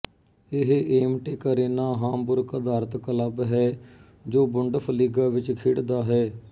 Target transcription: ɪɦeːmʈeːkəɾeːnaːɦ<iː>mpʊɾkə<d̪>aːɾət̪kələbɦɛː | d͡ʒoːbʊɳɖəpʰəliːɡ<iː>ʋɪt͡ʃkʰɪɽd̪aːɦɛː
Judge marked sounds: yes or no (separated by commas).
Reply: no, yes, no